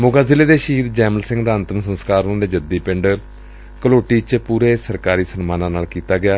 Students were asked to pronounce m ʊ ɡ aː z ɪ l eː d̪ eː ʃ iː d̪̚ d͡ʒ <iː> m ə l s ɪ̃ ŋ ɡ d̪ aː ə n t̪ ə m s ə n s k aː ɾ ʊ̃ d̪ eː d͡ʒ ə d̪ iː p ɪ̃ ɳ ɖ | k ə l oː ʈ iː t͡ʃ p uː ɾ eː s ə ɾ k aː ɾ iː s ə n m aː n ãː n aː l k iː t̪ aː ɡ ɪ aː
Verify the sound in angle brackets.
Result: incorrect: ɛː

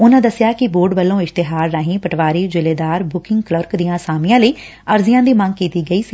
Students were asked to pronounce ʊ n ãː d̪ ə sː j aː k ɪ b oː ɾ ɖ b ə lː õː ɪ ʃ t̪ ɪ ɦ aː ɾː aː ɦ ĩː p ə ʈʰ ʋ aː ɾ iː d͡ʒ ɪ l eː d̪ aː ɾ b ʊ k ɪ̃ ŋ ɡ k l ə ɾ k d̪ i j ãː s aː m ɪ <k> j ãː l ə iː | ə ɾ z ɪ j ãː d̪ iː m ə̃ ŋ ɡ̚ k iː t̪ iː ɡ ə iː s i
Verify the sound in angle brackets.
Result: incorrect: none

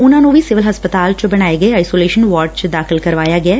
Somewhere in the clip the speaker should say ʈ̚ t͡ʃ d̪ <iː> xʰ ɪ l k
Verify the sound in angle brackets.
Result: incorrect: aː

